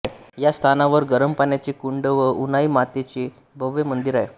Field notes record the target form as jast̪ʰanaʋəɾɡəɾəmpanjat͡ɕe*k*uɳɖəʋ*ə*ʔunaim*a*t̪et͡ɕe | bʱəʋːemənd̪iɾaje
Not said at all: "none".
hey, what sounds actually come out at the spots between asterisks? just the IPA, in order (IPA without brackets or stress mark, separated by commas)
k, ə, a